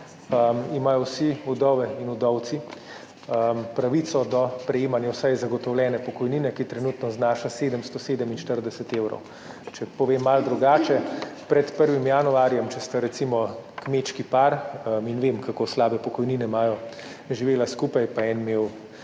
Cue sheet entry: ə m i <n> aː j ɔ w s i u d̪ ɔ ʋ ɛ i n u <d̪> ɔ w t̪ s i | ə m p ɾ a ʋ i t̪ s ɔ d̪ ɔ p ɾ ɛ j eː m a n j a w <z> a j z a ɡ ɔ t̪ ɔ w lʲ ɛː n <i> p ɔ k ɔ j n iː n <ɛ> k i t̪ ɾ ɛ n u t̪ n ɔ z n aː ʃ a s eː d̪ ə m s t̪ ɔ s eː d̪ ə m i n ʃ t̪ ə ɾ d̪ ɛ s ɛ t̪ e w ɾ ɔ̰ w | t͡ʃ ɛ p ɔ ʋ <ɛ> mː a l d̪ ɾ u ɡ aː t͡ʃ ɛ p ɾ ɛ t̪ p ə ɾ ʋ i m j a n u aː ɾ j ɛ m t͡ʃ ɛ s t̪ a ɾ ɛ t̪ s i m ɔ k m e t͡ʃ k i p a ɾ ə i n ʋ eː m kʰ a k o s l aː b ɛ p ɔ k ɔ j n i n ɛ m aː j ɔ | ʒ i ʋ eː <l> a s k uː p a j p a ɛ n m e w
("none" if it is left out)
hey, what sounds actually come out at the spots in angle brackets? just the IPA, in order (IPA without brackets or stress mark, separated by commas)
m, d̪, s, ɛ, ɛ, e, l